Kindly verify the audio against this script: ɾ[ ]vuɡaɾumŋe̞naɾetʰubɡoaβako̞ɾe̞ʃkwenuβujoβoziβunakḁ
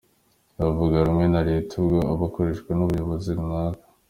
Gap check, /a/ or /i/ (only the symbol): a